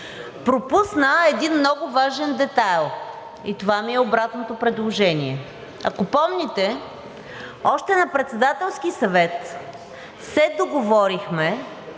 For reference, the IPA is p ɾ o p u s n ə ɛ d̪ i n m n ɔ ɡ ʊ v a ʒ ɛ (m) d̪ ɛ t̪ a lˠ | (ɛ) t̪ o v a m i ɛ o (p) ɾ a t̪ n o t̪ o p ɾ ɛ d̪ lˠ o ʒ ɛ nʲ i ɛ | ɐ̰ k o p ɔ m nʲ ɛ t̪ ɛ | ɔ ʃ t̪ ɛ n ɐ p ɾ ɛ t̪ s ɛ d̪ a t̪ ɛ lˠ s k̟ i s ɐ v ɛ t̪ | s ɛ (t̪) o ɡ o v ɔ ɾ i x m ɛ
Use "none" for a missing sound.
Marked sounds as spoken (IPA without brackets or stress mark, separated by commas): n, i, b, d̪